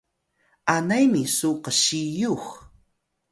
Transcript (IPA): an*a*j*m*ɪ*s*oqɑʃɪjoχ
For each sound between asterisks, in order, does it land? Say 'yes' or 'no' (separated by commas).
yes, yes, yes